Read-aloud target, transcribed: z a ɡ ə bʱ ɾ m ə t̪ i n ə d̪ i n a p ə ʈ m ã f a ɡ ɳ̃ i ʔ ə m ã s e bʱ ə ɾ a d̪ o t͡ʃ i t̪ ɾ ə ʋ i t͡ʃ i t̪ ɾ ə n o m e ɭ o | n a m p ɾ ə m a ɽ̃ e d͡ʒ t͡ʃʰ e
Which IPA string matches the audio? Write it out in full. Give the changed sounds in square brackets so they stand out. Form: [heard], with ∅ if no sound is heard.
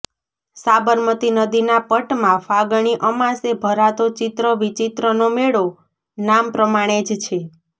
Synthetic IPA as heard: [s] a [b] ə [∅] ɾ m ə t̪ i n ə d̪ i n a p ə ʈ m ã f a ɡ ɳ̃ i ʔ ə m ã s e bʱ ə ɾ a [t̪] o t͡ʃ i t̪ ɾ ə ʋ i t͡ʃ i t̪ ɾ ə n o m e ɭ o | n a m p ɾ ə m a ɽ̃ e d͡ʒ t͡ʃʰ e